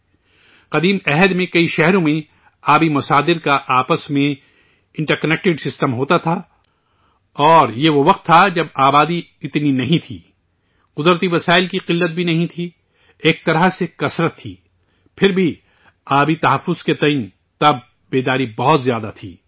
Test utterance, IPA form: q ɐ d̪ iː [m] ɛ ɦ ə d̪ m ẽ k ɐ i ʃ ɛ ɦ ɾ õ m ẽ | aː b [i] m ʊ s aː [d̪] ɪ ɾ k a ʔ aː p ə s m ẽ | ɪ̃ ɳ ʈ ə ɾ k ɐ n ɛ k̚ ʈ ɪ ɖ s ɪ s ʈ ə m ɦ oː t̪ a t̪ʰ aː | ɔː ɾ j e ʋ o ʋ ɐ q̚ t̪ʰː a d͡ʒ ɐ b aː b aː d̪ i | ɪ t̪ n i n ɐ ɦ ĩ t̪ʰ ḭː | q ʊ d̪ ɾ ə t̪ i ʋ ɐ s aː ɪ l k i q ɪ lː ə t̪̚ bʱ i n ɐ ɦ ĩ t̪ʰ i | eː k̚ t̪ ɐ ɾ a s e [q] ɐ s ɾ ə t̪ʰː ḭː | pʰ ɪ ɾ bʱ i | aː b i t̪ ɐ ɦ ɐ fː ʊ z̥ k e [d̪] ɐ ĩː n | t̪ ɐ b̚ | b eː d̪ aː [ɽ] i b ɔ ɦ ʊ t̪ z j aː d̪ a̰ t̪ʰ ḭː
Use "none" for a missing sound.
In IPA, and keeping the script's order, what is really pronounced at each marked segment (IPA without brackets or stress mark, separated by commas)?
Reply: m, i, d̪, k, t̪, ɾ